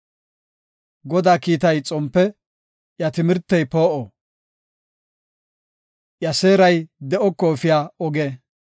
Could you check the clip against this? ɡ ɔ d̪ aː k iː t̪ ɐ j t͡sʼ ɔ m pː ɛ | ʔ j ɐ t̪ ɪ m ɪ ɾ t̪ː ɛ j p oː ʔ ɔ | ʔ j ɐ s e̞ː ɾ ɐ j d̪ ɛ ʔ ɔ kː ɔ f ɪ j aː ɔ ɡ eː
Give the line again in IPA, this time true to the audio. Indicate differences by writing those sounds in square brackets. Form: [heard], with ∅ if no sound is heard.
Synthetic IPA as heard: ɡ ɔ d̪ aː k iː t̪ ɐ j t͡sʼ ɔ m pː ɛ | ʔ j ɐ t̪ ɪ m ɪ ɾ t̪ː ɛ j p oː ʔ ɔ | ʔ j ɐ s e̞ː ɾ ɐ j d̪ ɛ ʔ ɔ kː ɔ f ɪ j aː ɔ ɡ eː